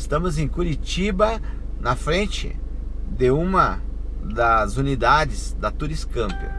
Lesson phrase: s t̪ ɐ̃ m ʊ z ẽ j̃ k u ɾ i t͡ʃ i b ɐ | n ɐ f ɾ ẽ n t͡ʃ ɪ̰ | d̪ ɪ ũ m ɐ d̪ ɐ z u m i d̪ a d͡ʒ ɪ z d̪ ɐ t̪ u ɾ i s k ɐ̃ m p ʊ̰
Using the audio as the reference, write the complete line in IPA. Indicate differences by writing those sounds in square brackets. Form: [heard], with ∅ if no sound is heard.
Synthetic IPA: s t̪ ɐ̃ m ʊ z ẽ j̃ k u ɾ i t͡ʃ i b ɐ | n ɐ f ɾ ẽ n t͡ʃ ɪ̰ | d̪ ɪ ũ m ɐ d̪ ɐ z u [n] i d̪ a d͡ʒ ɪ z d̪ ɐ t̪ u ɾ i s k ɐ̃ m p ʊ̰